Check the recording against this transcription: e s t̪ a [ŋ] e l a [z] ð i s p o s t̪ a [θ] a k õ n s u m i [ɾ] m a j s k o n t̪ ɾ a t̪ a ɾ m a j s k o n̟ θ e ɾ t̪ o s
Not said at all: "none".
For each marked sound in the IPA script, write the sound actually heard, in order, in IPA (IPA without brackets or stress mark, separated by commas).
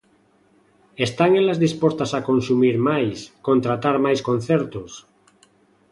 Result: ŋ, z, s, ɾ